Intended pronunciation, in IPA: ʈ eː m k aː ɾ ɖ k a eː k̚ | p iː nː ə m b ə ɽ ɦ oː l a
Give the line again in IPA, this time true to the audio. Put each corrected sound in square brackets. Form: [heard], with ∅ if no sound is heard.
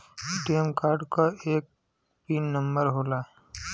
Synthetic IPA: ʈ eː m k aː ɾ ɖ k a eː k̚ | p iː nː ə m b ə [ɾ] ɦ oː l a